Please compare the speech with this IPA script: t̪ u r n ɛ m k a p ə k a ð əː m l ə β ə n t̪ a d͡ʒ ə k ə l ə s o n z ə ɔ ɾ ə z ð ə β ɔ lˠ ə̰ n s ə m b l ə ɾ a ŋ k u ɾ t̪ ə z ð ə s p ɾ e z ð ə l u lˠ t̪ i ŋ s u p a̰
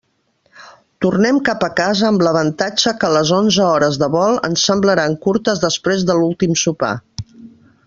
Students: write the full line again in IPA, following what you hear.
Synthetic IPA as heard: t̪ u r n ɛ m k a p ə k a z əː m l ə β ə n t̪ a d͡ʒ ə k ə l ə z o n z ə ɔ ɾ ə z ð ə β ɔ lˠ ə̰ n s ə m b l ə ɾ a ŋ k u ɾ t̪ ə z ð ə s p ɾ e z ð ə l u lˠ t̪ i m s u p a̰